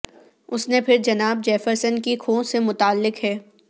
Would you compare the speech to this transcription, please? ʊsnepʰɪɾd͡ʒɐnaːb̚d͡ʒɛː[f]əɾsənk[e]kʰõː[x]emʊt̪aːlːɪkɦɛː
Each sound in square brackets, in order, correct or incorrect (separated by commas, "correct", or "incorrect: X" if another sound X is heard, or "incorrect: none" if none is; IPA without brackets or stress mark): correct, incorrect: i, incorrect: s